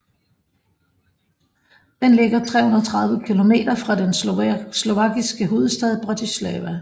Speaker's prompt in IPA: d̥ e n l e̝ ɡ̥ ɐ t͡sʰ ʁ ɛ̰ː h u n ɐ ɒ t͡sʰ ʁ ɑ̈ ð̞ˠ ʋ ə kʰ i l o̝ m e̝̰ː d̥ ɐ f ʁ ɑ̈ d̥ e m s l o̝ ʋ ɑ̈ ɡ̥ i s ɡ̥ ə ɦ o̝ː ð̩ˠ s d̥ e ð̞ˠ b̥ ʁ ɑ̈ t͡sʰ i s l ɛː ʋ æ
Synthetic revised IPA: d̥ e n l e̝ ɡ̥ ɐ t͡sʰ ʁ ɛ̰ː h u n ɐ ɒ t͡sʰ ʁ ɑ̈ ð̞ˠ ʋ ə kʰ i l o̝ m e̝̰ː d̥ ɐ f ʁ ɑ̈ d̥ e n s l o̝ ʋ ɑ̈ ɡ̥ i s ɡ̥ ə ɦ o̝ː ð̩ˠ s d̥ ɛ ð̞ˠ b̥ ʁ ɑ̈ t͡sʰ i s l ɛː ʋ æ